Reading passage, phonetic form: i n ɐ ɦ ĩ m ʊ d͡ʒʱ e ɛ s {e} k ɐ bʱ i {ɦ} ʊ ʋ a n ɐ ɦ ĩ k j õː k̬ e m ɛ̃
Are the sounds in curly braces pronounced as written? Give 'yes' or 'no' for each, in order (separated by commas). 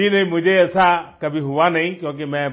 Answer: no, yes